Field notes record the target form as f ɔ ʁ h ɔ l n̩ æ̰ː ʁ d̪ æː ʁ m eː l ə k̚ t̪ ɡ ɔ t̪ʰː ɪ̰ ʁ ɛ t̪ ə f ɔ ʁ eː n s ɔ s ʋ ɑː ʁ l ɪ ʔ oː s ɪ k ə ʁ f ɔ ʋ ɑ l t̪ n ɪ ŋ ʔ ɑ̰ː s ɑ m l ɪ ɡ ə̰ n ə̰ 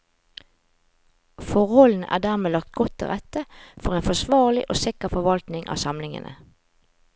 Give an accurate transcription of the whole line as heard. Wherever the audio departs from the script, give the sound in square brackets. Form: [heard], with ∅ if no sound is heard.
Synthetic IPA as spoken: f ɔ ʁ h ɔ l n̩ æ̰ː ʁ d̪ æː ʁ m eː l [ɑ] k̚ t̪ ɡ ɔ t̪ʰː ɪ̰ ʁ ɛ t̪ ə f ɔ ʁ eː n [f] ɔ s ʋ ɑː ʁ l ɪ ʔ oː s ɪ k ə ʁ f ɔ ʋ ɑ l t̪ n ɪ ŋ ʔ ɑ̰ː s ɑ m l ɪ [ŋ] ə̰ n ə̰